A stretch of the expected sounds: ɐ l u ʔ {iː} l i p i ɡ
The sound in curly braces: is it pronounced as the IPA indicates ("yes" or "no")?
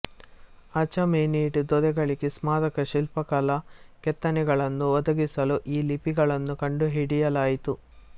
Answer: yes